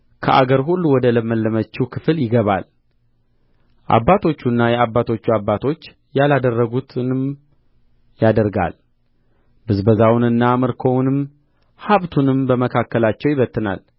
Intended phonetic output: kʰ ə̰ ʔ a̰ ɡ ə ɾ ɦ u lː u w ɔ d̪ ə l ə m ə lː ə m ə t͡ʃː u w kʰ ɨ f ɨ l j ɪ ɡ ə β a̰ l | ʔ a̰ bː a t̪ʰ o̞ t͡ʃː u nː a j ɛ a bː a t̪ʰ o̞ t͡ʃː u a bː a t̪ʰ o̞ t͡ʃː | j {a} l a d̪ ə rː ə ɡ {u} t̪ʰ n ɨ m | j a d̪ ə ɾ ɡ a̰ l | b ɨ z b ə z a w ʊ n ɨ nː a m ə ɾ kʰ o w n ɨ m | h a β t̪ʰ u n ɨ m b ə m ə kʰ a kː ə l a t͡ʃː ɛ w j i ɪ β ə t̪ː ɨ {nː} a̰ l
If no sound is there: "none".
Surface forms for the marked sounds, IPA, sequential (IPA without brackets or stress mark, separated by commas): a, u, n